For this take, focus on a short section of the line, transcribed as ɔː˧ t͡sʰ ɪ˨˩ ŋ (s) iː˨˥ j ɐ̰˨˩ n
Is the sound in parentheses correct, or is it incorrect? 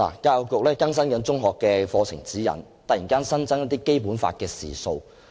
incorrect